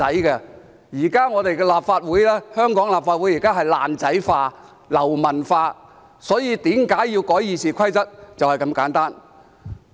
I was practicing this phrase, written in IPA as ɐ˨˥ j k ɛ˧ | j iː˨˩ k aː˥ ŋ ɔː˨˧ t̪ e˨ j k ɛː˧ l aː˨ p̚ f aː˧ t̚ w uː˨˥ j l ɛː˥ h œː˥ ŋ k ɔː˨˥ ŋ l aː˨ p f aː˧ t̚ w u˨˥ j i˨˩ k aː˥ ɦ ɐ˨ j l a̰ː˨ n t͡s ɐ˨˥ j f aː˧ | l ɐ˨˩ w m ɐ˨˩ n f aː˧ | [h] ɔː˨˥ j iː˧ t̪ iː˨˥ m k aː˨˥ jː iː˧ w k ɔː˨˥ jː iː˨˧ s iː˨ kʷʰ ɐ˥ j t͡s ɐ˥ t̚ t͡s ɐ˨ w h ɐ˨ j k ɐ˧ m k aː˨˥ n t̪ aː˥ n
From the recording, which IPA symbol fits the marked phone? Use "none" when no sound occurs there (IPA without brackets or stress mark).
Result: s